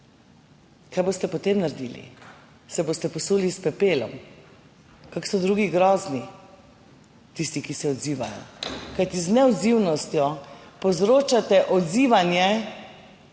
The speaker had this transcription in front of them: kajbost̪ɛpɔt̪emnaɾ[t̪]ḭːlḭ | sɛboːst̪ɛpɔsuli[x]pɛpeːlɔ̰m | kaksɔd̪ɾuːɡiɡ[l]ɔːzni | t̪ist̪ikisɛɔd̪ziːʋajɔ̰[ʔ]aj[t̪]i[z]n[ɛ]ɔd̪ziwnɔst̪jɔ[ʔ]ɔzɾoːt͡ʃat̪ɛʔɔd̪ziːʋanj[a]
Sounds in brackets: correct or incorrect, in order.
incorrect: d̪, incorrect: s, incorrect: ɾ, incorrect: k, correct, correct, correct, incorrect: p, incorrect: ɛ

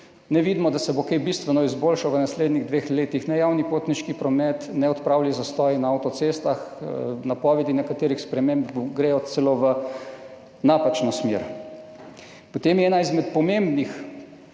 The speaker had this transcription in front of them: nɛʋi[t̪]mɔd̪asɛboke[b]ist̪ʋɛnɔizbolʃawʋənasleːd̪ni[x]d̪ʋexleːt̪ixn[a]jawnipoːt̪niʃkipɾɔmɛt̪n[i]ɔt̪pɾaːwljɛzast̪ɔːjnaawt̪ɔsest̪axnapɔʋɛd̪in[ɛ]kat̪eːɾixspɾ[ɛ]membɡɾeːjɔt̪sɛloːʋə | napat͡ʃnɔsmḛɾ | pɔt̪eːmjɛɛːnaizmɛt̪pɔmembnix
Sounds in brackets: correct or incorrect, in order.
incorrect: d̪, correct, incorrect: ɣ, incorrect: ɛ, incorrect: ɛ, correct, correct

